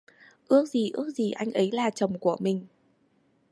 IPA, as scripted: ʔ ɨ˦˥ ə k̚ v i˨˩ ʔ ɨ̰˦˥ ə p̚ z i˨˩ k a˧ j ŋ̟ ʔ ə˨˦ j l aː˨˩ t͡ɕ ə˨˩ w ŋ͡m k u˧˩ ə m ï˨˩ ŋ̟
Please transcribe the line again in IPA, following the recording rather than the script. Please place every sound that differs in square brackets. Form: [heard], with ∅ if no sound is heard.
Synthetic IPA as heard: ʔ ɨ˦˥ ə k̚ [z] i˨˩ ʔ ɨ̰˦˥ ə [k̚] z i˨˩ [ʔ] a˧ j ŋ̟ ʔ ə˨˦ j l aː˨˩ t͡ɕ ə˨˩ w ŋ͡m k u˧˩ ə m ï˨˩ ŋ̟